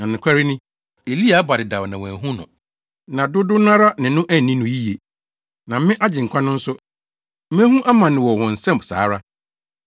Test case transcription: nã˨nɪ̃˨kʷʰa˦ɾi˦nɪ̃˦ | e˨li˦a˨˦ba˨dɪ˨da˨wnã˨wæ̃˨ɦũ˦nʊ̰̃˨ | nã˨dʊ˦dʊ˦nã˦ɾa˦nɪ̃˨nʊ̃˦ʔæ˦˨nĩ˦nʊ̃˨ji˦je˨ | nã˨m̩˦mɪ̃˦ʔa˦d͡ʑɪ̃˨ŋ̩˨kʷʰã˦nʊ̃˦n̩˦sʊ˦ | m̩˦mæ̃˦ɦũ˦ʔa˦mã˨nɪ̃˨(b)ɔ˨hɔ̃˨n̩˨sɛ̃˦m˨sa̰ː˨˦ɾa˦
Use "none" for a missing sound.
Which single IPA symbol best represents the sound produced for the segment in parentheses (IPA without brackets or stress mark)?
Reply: w